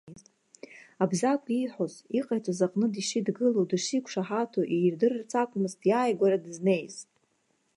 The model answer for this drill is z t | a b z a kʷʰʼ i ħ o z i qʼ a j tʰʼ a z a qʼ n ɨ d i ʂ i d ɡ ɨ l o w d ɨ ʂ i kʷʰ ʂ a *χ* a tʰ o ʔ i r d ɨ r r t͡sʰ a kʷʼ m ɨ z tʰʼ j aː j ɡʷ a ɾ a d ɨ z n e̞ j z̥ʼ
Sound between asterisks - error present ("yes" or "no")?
yes